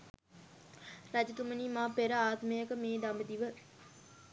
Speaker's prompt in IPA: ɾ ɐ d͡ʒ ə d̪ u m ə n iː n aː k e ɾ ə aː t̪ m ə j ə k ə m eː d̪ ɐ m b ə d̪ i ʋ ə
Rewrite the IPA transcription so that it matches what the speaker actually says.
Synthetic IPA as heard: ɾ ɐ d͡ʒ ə t̪ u m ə n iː m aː p e ɾ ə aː t̪ m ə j ə k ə m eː d̪ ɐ m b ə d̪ i ʋ ə